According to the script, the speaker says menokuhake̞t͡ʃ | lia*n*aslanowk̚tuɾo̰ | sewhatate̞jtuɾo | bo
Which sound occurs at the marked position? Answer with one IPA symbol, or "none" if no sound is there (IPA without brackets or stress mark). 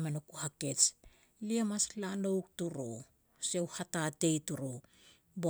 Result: m